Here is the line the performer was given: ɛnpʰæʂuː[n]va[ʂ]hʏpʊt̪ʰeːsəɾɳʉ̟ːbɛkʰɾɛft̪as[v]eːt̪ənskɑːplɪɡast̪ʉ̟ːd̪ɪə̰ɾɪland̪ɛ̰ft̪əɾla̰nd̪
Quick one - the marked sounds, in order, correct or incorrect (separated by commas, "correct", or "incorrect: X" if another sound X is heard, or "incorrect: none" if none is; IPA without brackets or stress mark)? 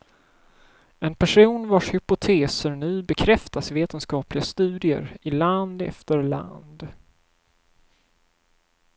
correct, correct, correct